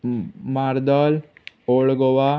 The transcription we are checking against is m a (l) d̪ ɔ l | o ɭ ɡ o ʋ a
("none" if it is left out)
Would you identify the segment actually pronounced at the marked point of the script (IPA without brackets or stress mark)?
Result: ɾ